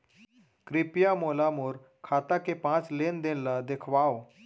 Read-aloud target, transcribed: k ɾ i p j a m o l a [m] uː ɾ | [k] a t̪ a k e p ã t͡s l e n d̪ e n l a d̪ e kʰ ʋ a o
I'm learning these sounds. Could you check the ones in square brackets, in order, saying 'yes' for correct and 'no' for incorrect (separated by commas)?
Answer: yes, no